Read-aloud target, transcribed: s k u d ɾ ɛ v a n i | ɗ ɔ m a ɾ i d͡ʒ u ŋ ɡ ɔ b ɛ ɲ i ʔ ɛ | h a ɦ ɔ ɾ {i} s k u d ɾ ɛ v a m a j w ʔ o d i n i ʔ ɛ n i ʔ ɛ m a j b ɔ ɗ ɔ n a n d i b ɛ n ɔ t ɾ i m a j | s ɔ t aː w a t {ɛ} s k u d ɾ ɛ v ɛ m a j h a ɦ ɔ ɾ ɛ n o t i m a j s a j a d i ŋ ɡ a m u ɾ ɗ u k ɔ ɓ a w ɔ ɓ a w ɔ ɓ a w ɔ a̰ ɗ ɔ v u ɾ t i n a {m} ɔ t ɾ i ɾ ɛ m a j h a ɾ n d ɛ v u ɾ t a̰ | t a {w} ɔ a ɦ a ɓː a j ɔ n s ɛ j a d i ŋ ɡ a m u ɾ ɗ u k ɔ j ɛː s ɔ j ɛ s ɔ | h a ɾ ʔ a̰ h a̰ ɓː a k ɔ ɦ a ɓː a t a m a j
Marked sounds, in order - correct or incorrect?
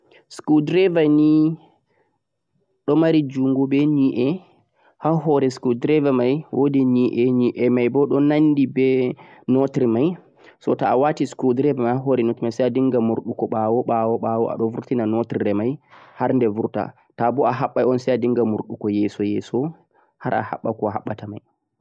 incorrect, incorrect, incorrect, incorrect

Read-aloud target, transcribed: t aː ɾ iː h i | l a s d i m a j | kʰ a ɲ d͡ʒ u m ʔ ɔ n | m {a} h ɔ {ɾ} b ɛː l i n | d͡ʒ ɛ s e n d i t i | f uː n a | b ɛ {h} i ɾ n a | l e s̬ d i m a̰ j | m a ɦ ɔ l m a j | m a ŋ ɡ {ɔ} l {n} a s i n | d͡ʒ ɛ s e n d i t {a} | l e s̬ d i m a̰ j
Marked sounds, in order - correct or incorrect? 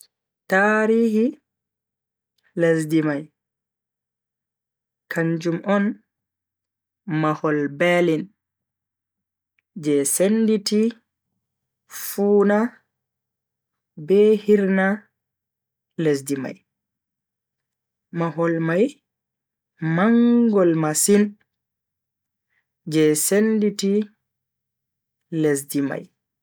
correct, incorrect, correct, correct, incorrect, incorrect

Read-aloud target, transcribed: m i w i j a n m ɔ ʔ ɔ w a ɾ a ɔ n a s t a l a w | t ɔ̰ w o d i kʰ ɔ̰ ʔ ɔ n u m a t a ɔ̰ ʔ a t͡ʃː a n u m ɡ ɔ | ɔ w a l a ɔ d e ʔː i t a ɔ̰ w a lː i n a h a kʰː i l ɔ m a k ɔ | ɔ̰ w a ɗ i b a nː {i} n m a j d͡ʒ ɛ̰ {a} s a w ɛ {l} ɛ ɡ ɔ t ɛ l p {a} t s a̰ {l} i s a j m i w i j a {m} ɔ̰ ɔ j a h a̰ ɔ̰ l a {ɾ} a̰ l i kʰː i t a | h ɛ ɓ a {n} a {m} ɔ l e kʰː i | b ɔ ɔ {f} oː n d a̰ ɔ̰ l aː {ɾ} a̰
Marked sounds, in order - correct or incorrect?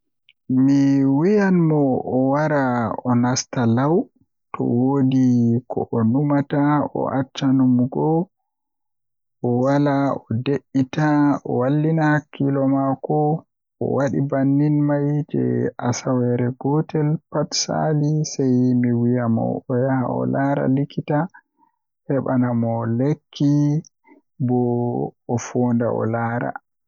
correct, correct, incorrect, correct, correct, correct, correct, correct, correct, correct, correct

